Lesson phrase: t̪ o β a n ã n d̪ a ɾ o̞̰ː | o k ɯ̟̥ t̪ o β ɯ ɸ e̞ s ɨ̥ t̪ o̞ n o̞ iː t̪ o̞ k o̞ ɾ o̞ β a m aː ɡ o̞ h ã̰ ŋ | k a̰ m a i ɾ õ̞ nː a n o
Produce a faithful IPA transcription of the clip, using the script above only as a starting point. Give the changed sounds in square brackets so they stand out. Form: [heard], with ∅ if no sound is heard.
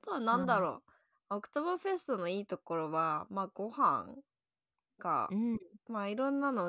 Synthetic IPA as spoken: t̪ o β a n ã n d̪ a ɾ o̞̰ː | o k ɯ̟̥ t̪ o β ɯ ɸ e̞ s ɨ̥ t̪ o̞ n o̞ iː t̪ o̞ k o̞ ɾ o̞ β a m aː ɡ o̞ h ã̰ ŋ | k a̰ m a i ɾ õ̞ nː a n o